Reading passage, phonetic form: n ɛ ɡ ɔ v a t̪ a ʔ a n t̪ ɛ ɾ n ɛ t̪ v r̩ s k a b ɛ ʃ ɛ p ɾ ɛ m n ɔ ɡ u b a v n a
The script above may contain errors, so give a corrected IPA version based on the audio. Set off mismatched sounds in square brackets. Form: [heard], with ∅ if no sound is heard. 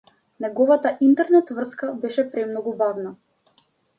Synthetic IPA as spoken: n ɛ ɡ ɔ v a t̪ a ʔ [i] n t̪ ɛ ɾ n ɛ t̪ v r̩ s k a b ɛ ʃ ɛ p ɾ ɛ m n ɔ ɡ u b a v n a